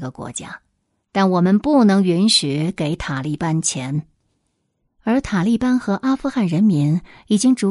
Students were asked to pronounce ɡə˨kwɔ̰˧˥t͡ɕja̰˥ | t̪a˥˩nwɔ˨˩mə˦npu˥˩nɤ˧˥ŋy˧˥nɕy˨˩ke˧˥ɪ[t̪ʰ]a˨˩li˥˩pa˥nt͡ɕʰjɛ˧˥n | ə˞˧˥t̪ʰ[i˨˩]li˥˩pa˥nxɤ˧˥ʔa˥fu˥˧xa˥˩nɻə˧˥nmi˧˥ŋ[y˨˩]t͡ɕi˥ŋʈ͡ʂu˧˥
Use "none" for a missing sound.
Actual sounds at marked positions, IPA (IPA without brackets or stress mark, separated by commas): t̪ʰ, a˨˩, i˨˩